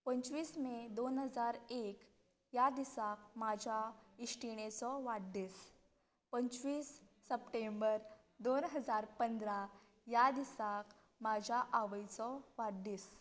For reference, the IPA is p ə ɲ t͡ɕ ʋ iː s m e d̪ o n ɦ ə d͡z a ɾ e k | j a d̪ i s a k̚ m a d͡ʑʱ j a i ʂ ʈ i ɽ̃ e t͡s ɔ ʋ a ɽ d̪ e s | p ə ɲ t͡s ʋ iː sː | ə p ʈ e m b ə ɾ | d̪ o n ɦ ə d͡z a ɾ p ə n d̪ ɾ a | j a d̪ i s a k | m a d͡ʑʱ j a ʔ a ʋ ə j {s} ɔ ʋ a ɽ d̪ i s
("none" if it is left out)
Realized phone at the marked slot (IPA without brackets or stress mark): t͡s